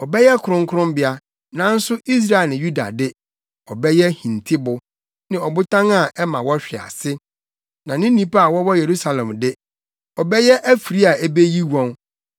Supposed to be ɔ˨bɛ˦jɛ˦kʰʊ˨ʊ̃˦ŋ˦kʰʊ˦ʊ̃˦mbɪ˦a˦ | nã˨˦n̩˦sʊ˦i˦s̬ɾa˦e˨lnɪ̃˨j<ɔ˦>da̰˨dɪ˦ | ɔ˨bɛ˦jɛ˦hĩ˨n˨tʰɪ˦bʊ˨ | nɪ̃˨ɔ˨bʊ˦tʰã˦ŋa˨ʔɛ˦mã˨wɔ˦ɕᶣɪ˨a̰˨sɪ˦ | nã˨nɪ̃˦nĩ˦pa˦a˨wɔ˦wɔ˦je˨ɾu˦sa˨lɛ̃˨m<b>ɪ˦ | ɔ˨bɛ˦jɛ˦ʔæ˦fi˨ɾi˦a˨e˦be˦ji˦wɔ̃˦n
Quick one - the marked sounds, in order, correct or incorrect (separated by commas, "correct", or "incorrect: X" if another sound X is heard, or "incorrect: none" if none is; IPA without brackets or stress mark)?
incorrect: u˦, incorrect: d